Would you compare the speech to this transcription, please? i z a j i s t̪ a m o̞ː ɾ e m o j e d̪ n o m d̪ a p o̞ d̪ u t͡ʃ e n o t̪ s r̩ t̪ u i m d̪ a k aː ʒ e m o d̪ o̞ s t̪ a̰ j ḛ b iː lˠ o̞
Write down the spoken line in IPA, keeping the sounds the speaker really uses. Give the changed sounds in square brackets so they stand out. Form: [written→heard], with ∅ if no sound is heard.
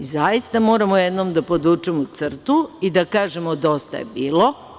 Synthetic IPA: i z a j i s t̪ a m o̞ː ɾ [e→a] m o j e d̪ n o m d̪ a p o̞ d̪ u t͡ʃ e [n→m] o t̪ s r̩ t̪ u i [m→∅] d̪ a k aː ʒ e m o d̪ o̞ s t̪ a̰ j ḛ b iː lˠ o̞